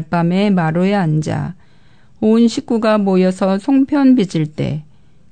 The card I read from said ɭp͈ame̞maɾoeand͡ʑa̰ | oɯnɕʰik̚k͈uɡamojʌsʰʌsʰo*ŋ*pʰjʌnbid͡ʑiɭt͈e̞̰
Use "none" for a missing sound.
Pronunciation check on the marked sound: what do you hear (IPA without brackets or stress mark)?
ŋ